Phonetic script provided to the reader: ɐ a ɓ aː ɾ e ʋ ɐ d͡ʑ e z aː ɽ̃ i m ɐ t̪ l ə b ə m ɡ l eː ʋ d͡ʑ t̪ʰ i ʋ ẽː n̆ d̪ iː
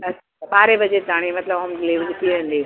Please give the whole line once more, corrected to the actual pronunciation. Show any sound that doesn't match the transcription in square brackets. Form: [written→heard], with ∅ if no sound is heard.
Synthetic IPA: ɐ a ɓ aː ɾ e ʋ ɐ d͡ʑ e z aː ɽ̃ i m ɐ t̪ l ə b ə m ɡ l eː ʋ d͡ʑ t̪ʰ i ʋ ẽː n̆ d̪ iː

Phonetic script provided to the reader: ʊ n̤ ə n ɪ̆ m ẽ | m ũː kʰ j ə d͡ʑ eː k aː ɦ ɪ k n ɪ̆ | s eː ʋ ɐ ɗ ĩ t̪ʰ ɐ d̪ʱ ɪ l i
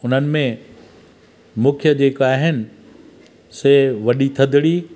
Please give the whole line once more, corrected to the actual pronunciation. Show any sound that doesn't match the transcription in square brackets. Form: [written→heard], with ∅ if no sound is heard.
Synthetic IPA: ʊ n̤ ə n ɪ̆ m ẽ | m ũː kʰ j ə d͡ʑ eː k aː ɦ ɪ [k→∅] n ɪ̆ | s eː ʋ ɐ ɗ [ĩ→i] t̪ʰ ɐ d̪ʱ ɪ [l→ɽ] i

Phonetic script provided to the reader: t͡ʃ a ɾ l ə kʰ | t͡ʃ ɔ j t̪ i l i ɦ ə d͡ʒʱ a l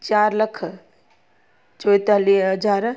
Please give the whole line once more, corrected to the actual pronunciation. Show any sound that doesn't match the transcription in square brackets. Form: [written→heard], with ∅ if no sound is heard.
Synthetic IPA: t͡ʃ a ɾ l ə kʰ | t͡ʃ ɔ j t̪ [i→a] l i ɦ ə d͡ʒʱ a [l→ɾ]

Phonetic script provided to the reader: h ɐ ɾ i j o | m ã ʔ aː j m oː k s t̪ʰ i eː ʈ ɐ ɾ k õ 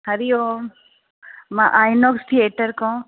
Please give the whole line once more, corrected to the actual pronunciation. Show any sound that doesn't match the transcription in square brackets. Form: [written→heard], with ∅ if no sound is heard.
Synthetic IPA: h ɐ ɾ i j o | m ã ʔ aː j [m→n] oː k s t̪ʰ i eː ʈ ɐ ɾ k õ

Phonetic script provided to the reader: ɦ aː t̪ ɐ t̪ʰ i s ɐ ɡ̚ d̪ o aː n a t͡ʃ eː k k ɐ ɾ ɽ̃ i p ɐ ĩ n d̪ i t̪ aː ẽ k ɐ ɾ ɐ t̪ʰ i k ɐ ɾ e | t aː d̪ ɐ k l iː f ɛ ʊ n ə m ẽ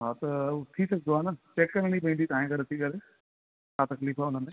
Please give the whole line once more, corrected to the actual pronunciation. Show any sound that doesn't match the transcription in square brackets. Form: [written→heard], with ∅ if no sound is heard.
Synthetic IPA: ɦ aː t̪ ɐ t̪ʰ i s ɐ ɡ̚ d̪ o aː n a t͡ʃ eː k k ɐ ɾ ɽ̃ i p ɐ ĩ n d̪ i t̪ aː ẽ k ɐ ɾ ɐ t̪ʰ i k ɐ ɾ e | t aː [d̪→t̪] ɐ k l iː f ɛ ʊ n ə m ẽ

